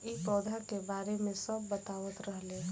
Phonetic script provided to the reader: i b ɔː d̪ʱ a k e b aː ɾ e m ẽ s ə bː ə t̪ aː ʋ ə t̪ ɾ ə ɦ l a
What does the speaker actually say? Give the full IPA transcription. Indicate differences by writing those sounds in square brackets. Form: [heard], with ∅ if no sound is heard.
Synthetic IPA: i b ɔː d̪ʱ a k e b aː ɾ e m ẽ s ə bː ə t̪ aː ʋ ə t̪ ɾ ə ɦ l [e]